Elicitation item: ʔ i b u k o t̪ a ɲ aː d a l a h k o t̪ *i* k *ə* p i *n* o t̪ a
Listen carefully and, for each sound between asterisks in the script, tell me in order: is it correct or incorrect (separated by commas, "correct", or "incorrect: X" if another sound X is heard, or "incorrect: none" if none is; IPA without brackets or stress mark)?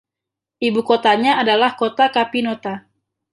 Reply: incorrect: a, incorrect: a, correct